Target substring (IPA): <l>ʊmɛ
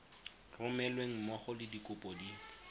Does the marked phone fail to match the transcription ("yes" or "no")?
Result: yes